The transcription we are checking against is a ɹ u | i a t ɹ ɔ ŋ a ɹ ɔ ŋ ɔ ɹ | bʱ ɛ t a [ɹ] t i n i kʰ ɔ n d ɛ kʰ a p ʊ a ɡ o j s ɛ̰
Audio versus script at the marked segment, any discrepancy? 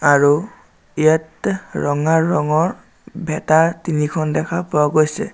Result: no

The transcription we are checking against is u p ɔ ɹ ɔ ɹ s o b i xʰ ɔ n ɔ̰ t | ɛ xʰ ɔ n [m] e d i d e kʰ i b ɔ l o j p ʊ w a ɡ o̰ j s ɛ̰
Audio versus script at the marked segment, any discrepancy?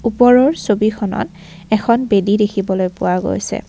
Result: yes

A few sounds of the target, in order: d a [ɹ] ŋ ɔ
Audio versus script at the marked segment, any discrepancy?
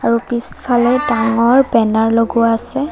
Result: yes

